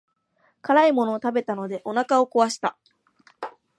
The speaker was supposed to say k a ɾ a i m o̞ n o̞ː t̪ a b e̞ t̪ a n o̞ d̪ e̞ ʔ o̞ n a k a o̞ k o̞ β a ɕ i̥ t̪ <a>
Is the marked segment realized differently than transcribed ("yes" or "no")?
no